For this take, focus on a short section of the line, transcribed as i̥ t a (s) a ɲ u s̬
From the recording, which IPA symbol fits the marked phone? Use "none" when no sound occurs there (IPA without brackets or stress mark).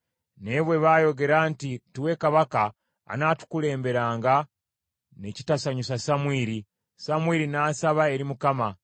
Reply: s